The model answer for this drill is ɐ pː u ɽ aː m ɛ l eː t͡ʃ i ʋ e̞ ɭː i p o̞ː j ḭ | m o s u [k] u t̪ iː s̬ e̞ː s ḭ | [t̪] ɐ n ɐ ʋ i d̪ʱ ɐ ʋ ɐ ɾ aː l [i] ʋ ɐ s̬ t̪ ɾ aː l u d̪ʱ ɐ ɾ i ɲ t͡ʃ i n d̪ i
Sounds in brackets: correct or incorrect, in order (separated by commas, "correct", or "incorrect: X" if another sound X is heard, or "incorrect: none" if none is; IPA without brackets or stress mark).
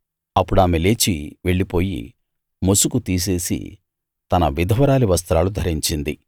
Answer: correct, correct, correct